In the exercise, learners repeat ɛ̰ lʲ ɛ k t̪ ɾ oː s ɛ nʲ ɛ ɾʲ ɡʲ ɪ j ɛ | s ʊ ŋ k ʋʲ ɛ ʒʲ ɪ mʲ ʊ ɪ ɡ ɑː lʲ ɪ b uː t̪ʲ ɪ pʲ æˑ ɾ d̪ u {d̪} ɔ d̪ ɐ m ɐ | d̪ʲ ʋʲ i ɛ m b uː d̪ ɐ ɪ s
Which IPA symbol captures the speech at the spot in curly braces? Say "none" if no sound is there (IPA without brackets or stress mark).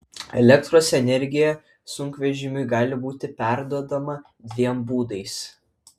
none